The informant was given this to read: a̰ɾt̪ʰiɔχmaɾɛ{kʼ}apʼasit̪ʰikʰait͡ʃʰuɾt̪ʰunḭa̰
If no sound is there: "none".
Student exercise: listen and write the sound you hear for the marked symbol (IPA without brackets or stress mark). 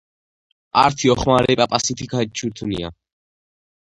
pʼ